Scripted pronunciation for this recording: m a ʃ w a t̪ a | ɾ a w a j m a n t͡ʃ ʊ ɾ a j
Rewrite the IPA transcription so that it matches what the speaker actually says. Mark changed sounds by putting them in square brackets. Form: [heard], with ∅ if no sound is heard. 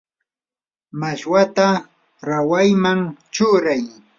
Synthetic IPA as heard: m a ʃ w a t̪ a | ɾ a w a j m a [ŋ] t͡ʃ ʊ ɾ a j